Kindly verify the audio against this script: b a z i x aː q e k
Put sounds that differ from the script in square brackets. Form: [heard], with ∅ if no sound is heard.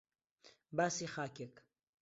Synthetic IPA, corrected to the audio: b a [s] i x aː [k] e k